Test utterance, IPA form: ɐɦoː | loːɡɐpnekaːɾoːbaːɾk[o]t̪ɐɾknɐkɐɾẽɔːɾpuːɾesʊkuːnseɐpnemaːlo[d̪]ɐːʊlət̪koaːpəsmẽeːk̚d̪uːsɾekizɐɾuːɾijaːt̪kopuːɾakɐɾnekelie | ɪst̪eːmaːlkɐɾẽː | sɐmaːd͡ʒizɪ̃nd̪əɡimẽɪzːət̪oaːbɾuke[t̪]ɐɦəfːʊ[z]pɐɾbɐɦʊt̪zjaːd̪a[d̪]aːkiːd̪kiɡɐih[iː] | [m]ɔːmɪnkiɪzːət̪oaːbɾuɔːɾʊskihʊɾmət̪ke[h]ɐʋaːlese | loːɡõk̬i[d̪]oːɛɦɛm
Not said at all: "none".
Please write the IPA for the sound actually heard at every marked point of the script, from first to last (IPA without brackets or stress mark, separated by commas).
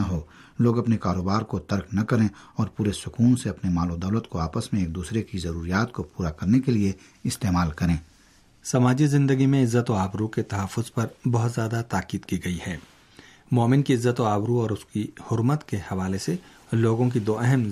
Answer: o, d̪, t̪, z, t̪, ɛː, m, h, d̪